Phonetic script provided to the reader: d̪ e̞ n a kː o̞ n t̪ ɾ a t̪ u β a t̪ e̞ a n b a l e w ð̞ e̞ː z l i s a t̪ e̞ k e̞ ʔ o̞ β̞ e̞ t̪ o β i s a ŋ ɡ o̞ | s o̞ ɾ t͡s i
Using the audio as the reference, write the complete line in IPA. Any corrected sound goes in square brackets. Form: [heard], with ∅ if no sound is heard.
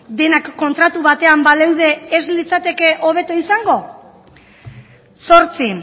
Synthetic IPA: d̪ e̞ n a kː o̞ n t̪ ɾ a t̪ u β a t̪ e̞ a [m] b a l e w ð̞ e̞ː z l i [t͡s] a t̪ e̞ k e̞ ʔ o̞ β̞ e̞ t̪ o [∅] i s a ŋ ɡ o̞ | s o̞ ɾ t͡s i